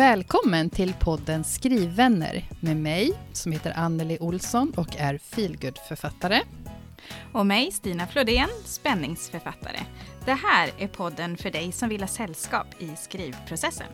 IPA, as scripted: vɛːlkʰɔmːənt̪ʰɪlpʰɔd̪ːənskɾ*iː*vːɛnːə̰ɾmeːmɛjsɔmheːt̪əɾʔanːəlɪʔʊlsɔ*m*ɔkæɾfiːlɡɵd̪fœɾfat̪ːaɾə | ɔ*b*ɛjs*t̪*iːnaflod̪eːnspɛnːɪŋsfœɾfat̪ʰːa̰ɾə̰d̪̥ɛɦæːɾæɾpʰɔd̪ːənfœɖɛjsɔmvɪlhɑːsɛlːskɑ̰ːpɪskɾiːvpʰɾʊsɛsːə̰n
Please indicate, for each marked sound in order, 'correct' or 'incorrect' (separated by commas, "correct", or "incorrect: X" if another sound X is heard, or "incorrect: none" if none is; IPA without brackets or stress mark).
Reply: correct, incorrect: n, incorrect: m, correct